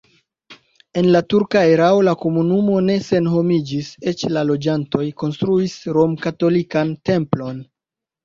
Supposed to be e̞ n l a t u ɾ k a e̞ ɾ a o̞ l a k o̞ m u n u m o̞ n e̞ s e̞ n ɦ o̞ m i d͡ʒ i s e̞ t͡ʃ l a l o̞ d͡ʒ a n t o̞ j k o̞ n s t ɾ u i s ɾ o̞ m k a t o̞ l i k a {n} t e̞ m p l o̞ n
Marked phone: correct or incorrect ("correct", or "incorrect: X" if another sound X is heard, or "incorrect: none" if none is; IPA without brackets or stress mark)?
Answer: correct